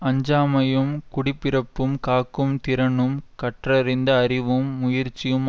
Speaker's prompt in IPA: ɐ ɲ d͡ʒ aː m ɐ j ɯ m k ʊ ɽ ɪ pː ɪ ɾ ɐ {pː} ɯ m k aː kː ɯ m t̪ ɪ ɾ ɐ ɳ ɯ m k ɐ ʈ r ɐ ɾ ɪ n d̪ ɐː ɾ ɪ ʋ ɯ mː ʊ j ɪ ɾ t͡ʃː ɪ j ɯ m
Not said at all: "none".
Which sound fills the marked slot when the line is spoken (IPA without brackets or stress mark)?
pː